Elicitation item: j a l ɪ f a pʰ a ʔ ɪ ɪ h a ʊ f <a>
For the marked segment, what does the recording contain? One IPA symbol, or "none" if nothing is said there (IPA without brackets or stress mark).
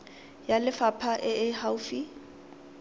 i